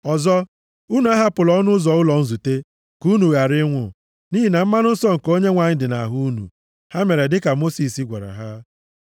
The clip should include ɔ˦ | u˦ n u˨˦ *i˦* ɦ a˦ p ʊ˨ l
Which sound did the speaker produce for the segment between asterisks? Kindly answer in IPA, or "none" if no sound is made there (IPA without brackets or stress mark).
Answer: a˦